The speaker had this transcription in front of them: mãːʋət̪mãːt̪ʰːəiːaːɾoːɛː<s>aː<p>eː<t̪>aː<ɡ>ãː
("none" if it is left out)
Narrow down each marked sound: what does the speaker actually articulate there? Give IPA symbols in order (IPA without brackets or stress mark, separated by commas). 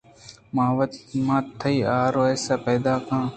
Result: s, p, d̪, k